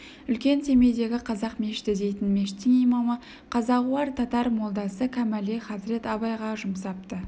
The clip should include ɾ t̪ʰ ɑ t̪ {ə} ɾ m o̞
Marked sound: incorrect: ɑ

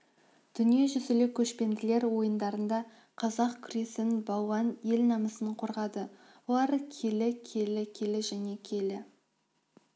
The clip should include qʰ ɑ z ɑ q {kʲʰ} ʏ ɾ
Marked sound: correct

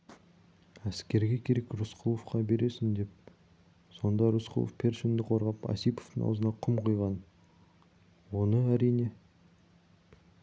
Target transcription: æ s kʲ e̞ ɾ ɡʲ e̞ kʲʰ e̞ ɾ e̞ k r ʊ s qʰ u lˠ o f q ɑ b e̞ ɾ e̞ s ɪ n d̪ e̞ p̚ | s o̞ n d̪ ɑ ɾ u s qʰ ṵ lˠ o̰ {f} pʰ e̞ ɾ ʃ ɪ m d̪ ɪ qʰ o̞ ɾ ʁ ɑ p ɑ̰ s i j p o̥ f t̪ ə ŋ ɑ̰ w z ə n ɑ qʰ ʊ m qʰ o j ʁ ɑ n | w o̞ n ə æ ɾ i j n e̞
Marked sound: correct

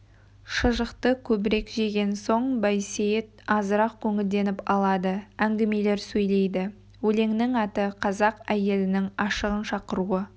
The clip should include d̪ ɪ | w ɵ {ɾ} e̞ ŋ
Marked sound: incorrect: l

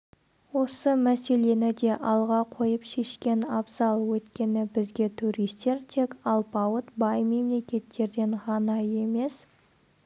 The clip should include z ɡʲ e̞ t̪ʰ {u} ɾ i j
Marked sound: correct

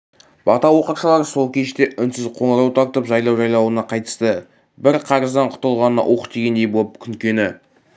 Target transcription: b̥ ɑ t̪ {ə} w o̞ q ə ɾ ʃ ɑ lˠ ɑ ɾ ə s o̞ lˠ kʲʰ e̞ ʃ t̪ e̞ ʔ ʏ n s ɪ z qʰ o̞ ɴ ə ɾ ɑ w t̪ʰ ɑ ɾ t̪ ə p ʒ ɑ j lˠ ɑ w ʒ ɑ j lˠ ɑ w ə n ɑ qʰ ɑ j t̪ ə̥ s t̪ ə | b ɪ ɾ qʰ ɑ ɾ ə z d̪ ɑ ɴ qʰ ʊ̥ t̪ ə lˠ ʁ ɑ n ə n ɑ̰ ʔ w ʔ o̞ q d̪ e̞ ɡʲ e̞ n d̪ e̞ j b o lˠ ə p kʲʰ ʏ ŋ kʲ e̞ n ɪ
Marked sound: incorrect: ɑ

